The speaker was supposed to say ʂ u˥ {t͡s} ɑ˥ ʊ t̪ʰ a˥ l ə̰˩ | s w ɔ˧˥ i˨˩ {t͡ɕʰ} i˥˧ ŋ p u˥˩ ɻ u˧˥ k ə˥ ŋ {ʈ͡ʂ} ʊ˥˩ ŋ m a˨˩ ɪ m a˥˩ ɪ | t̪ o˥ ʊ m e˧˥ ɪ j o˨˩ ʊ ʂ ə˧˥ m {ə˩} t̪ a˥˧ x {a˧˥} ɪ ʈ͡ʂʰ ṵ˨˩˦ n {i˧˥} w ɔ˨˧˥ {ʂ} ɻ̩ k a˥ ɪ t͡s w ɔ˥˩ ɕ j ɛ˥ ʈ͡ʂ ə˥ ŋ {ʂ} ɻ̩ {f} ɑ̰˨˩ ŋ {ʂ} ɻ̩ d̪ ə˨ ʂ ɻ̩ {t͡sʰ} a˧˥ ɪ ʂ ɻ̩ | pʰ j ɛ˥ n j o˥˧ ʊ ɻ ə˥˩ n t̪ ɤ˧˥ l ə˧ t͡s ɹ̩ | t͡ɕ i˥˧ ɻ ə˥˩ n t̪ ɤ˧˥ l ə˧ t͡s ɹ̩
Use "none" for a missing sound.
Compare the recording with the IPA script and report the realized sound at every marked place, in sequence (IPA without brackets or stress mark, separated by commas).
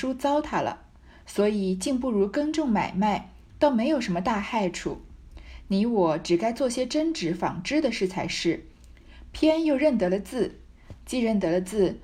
t͡s, t͡ɕ, ʈ͡ʂ, ə˧, a˥˧, i˧˥, ʈ͡ʂ, ʈ͡ʂ, f, ʈ͡ʂ, t͡sʰ